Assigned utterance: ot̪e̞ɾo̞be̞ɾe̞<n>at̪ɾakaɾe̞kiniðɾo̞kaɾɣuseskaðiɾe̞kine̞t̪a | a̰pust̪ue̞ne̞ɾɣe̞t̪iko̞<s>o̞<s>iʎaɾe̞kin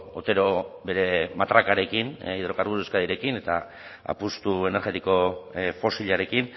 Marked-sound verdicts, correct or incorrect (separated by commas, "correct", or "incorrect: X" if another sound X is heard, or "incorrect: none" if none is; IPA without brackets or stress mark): incorrect: m, incorrect: f, correct